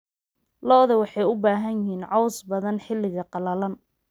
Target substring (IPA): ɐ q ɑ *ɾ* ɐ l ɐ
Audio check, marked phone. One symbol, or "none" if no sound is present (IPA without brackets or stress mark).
l